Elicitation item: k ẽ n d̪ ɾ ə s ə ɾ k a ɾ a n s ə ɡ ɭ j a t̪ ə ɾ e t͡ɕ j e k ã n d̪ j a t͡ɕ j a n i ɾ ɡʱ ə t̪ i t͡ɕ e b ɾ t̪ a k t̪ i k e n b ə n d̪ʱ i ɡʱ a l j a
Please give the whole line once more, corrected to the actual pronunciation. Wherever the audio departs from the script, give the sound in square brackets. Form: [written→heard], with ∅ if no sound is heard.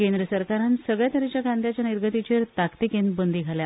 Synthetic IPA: k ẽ n d̪ ɾ ə s ə ɾ k a ɾ a n s ə ɡ ɭ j a t̪ ə ɾ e t͡ɕ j [e→a] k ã n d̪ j a t͡ɕ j a n i ɾ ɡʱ ə t̪ i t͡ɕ e [b→∅] ɾ t̪ a k t̪ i k e n b ə n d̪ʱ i ɡʱ a l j a